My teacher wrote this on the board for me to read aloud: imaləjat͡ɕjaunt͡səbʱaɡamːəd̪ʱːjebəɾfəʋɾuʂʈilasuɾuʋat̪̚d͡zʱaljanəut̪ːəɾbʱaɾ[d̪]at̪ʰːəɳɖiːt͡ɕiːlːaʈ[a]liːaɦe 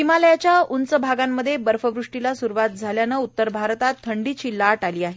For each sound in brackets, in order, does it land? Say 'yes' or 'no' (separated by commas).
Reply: no, yes